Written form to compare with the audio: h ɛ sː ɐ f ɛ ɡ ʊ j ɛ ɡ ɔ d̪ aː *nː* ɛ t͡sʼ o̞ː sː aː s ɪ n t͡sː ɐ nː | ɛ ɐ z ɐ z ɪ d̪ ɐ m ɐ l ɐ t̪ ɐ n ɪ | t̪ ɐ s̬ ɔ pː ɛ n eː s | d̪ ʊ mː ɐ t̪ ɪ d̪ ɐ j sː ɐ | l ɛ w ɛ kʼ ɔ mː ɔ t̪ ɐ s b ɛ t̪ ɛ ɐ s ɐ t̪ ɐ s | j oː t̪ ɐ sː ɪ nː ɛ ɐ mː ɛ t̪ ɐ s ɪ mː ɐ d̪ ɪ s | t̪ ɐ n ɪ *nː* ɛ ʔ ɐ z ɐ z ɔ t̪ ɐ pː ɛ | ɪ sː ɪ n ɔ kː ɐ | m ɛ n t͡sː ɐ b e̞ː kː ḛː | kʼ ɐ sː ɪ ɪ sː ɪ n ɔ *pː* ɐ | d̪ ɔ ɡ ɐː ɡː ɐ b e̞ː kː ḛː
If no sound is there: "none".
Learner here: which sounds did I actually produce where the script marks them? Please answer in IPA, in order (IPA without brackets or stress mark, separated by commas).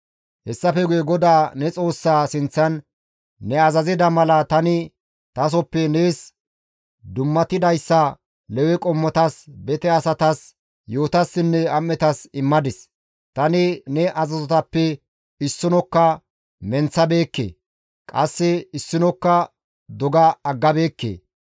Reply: n, n, kː